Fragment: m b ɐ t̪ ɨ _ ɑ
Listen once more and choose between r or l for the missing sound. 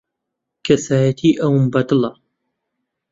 l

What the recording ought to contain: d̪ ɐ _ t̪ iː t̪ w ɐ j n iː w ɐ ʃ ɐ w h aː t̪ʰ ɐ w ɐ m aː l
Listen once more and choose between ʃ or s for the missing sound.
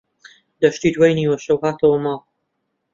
ʃ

